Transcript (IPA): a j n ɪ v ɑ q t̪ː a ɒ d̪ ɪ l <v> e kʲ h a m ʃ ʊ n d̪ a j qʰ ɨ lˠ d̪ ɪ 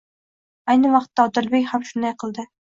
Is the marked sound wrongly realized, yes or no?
yes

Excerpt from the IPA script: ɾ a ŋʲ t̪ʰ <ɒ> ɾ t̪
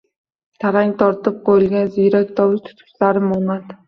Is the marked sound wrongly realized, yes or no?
no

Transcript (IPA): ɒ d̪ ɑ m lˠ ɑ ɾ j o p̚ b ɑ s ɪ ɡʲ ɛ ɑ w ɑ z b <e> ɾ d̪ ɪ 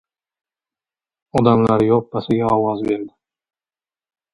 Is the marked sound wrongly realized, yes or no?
no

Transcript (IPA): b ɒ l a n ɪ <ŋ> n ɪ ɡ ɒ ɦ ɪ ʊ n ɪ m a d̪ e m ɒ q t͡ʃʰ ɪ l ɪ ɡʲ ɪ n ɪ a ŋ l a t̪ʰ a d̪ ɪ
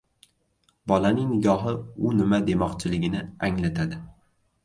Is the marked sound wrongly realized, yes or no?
no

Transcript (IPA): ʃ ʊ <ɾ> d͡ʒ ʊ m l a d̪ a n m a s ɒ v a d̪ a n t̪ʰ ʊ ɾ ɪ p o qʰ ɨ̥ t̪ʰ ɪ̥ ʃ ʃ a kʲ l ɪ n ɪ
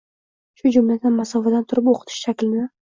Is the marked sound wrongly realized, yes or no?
yes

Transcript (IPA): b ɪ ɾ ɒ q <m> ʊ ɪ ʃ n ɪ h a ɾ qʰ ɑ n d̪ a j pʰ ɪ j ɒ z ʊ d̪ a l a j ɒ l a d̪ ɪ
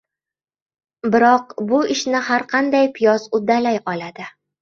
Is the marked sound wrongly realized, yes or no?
yes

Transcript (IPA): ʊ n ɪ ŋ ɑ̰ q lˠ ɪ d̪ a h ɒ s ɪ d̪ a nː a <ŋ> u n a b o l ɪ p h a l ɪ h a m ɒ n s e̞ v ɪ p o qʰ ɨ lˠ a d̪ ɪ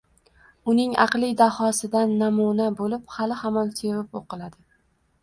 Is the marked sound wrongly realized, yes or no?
yes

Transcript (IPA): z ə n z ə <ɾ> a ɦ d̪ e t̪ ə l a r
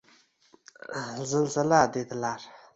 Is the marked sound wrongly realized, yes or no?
yes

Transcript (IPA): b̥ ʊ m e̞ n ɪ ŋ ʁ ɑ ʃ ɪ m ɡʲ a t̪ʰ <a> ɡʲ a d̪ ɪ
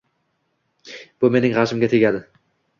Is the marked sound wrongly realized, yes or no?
yes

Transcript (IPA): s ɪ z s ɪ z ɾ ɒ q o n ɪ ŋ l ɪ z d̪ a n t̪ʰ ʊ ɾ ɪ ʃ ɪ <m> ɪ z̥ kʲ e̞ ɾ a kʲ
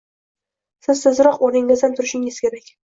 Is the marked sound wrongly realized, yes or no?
yes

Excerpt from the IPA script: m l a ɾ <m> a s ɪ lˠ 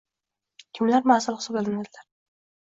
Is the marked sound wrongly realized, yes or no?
no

